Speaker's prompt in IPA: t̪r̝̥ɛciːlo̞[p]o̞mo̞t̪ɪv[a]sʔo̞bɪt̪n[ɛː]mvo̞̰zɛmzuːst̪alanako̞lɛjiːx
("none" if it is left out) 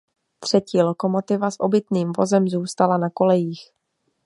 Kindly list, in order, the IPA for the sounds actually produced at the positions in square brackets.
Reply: k, a, iː

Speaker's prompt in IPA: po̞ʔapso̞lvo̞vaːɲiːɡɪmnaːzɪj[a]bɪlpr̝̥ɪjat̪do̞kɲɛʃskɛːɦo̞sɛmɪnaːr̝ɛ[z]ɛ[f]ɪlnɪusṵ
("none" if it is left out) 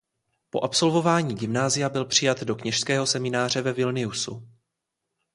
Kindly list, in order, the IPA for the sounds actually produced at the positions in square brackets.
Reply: a, v, v

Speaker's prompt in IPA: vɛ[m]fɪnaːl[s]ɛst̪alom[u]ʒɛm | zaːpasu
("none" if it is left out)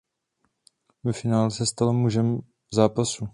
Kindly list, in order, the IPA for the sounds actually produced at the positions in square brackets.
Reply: none, s, u

